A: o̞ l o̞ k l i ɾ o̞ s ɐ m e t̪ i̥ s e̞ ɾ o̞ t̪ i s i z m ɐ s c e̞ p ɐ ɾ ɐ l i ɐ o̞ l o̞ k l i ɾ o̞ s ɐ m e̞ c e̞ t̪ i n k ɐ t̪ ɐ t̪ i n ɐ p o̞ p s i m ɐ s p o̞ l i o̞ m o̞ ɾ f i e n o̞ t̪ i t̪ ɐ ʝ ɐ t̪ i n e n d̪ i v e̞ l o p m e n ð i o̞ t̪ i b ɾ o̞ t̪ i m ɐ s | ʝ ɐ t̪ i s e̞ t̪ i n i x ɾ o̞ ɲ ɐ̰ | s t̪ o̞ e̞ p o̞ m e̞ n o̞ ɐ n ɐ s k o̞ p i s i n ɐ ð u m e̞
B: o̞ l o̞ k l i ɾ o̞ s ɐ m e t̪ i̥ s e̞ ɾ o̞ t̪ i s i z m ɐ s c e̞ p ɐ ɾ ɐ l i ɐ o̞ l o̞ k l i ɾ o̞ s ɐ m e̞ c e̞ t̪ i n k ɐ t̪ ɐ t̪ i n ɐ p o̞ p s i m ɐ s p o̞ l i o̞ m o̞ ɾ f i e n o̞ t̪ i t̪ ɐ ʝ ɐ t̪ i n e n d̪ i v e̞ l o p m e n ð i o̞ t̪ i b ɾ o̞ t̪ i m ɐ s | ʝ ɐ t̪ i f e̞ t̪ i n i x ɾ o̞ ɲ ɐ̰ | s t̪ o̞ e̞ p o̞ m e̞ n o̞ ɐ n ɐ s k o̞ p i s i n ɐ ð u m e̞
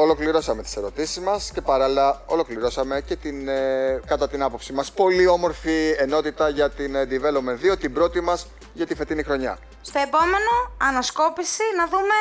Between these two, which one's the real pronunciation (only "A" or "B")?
B